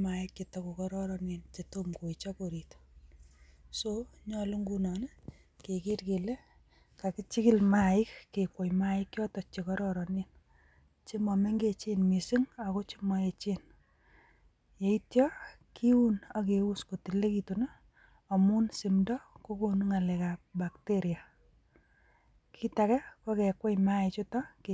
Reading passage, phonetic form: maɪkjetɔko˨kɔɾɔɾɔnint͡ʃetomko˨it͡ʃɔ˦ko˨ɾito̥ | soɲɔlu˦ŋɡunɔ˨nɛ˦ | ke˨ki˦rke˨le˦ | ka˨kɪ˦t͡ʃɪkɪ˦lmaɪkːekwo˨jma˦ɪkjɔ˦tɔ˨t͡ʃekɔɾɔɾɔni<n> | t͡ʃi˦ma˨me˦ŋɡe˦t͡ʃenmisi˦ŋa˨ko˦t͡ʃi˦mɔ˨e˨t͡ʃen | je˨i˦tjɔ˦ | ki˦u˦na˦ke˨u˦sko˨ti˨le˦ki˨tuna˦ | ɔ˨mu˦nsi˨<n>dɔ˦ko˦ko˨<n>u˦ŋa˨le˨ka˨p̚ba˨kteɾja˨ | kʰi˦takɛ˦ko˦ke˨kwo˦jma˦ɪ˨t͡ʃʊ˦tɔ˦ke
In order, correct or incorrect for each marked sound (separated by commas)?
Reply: correct, incorrect, correct